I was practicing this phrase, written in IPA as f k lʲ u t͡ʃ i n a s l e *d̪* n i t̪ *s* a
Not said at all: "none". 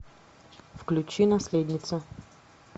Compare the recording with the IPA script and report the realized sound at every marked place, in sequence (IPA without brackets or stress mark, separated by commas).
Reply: d̪, s